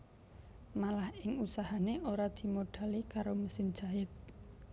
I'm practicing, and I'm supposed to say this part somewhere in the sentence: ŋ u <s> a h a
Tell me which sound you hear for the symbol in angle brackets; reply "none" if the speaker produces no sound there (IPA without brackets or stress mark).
s